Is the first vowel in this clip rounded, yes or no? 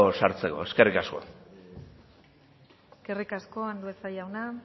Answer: no